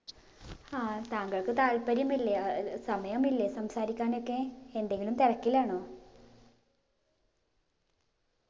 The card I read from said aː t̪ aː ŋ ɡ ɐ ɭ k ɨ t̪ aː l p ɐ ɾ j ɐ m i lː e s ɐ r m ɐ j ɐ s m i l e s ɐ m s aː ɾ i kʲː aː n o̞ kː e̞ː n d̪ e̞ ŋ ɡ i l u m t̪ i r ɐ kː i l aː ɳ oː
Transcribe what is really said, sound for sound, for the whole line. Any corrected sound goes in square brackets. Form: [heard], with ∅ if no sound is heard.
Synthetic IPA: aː t̪ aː ŋ ɡ ɐ ɭ k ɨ t̪ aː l p ɐ ɾ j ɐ m i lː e s ɐ [∅] m ɐ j ɐ [∅] m i [lː] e s ɐ m s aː ɾ i kʲː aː n o̞ kː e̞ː n d̪ e̞ ŋ ɡ i l u m t̪ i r ɐ kː i l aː ɳ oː